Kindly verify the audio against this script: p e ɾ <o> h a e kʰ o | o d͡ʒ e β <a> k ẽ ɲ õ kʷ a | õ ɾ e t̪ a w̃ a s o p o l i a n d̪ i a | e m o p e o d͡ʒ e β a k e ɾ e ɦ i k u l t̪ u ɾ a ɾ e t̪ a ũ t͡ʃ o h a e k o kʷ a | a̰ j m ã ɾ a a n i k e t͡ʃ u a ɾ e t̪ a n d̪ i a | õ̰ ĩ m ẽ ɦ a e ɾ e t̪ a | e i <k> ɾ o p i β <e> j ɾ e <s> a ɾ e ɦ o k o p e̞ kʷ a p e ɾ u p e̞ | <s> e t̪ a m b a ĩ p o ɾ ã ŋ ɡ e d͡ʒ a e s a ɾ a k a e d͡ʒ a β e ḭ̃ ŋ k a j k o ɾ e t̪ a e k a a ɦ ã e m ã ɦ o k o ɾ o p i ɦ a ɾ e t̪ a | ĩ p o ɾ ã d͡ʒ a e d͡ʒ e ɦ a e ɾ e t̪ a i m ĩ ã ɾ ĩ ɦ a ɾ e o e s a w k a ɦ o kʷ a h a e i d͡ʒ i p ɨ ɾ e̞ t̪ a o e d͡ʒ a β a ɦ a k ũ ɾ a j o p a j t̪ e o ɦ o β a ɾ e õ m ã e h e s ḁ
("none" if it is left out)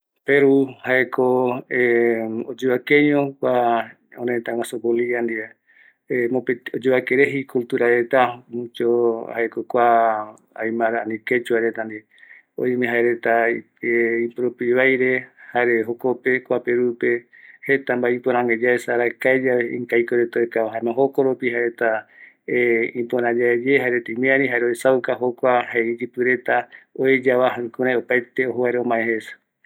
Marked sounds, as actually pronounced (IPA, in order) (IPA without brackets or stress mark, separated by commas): u, a, p, a, h, h